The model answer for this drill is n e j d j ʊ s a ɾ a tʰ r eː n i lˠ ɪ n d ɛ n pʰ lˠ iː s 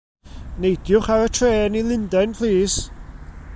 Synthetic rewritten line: n e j d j ʊ χ a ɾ ə tʰ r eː n i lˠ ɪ n d ɛ n pʰ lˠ iː s